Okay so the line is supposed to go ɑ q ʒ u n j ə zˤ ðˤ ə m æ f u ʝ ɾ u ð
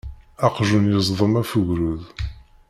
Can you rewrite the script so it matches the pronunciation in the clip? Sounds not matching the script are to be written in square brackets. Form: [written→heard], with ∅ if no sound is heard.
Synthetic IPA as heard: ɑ q ʒ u n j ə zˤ ðˤ ə m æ f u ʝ ɾ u ð